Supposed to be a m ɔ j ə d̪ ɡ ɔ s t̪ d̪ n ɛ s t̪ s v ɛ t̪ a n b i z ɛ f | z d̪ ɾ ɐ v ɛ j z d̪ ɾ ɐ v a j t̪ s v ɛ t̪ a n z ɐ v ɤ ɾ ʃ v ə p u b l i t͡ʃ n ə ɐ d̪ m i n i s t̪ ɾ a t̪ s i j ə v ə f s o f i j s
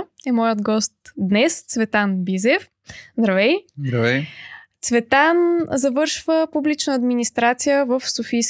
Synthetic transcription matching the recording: ɛ m ɔ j ə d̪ ɡ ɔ s t̪ d̪ n ɛ s t̪ s v ɛ t̪ a n b i z ɛ f | z d̪ ɾ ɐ v ɛ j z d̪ ɾ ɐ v ɛ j t̪ s v ɛ t̪ a n z ɐ v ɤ ɾ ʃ v ə p u b l i t͡ʃ n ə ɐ d̪ m i n i s t̪ ɾ a t̪ s i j ə v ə f s o f i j s